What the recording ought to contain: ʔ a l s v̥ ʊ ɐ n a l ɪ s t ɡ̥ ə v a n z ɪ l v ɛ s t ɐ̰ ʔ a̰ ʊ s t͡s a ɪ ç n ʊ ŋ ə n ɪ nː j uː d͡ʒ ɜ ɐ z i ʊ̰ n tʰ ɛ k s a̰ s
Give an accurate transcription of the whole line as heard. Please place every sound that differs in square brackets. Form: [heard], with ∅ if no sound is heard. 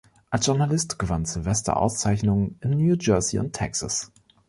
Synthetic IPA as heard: ʔ a l s [ʒ̥] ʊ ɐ n a l ɪ s t ɡ̥ ə v a n z ɪ l v ɛ s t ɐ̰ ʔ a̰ ʊ s t͡s a ɪ ç n ʊ ŋ ə n ɪ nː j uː d͡ʒ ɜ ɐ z i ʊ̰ n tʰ ɛ k s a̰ s